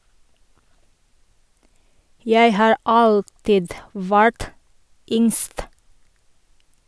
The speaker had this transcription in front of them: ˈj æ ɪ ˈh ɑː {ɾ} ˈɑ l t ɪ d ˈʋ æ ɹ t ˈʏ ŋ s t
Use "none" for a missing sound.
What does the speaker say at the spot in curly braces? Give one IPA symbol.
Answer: ɹ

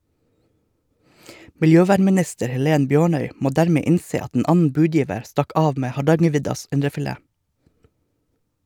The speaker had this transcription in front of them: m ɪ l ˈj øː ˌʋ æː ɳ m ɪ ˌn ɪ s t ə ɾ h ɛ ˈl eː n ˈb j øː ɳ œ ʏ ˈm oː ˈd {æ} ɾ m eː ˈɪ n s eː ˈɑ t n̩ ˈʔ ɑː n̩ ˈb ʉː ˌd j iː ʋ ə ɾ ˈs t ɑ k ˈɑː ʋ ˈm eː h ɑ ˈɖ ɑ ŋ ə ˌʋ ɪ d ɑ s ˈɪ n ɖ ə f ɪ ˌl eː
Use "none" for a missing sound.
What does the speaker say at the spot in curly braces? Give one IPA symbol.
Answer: æː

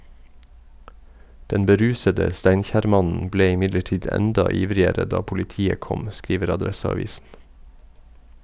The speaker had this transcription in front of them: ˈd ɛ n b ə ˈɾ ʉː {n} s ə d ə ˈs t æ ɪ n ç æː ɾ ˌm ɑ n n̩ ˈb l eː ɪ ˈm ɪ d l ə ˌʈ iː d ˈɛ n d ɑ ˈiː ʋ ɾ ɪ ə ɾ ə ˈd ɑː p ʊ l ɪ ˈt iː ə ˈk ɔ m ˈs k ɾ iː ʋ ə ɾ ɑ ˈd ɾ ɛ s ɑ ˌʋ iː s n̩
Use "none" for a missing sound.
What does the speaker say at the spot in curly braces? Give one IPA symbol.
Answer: none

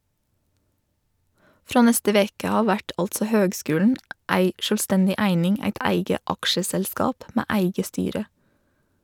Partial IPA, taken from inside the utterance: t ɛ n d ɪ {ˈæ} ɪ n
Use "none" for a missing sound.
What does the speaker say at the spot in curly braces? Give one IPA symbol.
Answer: æ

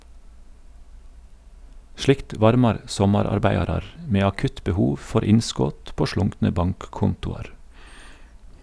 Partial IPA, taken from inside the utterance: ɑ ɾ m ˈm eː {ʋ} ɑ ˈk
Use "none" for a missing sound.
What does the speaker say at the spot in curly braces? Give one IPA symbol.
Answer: none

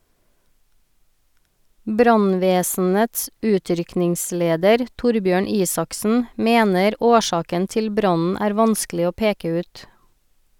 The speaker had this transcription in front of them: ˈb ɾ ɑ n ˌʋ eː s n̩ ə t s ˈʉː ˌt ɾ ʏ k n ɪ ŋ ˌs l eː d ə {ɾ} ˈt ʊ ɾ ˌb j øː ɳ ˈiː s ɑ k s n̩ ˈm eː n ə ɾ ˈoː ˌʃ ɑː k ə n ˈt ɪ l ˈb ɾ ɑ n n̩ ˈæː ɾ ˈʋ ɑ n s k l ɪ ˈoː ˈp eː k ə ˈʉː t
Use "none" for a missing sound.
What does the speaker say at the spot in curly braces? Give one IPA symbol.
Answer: ɾ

